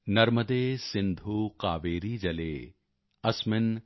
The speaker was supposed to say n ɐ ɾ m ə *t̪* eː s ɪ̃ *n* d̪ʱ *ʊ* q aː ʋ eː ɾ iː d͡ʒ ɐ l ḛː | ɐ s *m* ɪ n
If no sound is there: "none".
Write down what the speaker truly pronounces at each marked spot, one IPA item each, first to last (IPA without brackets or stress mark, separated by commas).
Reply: d̪, n, u, m